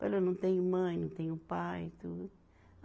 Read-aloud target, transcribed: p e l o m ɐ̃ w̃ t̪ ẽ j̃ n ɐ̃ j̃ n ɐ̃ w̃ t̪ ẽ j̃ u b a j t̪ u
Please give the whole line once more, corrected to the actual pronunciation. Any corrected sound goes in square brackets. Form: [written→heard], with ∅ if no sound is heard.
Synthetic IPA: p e l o [m→n] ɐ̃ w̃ t̪ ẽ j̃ [n→m] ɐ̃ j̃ n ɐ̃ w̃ t̪ ẽ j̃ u [b→p] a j t̪ u